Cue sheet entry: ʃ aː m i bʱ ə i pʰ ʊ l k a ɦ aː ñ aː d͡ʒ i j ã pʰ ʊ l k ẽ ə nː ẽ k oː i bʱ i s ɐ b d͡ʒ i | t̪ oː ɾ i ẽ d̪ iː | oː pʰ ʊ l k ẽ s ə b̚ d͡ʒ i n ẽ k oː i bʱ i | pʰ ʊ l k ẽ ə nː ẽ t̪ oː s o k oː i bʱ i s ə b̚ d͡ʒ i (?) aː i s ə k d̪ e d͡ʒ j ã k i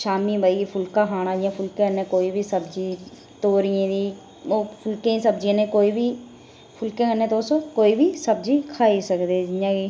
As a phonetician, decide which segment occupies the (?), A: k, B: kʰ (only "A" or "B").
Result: B